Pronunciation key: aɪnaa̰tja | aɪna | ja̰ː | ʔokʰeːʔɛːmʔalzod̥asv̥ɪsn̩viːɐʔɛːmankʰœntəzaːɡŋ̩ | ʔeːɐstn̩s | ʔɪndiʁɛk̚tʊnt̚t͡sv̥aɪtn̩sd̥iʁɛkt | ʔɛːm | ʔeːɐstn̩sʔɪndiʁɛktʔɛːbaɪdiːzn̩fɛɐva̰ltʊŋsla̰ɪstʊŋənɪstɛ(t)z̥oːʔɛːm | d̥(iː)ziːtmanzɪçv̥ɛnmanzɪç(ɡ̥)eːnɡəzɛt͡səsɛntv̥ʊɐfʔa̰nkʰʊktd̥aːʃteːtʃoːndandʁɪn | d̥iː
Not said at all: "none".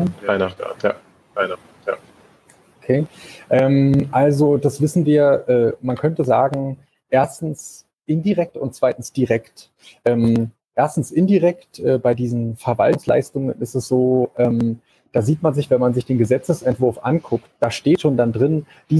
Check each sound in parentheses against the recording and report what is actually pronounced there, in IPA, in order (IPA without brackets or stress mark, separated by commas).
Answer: s, aː, d̥